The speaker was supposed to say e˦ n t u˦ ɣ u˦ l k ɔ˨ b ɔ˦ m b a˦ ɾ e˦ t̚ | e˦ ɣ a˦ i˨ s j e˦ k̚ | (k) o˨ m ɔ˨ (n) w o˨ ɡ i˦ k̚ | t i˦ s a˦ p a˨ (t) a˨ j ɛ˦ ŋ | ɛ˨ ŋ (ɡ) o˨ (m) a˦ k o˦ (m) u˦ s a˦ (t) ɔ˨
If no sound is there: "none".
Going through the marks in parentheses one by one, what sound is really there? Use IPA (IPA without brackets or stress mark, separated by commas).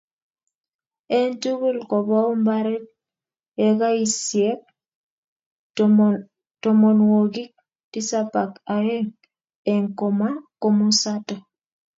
t, n, k, k, m, m, t